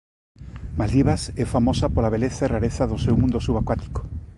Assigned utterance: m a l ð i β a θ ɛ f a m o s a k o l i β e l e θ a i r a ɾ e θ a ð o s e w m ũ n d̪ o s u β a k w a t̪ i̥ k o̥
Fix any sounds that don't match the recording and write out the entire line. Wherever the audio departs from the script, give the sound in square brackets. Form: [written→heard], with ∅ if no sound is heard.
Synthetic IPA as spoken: m a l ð i β a [θ→s] ɛ f a m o s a [k→p] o l [i→a] β e l e θ a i r a ɾ e θ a ð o s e w m ũ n d̪ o s u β a k w a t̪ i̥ k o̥